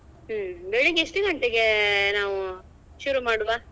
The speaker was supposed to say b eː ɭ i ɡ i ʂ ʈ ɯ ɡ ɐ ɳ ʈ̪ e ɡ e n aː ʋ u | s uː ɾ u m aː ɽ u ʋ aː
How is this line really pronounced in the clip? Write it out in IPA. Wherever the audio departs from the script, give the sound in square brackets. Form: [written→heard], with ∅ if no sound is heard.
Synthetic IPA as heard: b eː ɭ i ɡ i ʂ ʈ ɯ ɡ ɐ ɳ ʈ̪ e ɡ e n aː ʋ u | [s→ʃ] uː ɾ u m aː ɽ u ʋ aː